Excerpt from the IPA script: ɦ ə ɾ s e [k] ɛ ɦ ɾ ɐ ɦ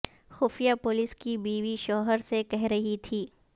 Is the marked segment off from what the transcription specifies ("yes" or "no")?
no